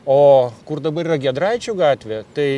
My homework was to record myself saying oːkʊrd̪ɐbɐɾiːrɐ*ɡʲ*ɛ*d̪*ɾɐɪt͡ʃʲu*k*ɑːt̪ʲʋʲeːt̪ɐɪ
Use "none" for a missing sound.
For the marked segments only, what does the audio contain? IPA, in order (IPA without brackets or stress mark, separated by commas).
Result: ɡʲ, d̪, ɡ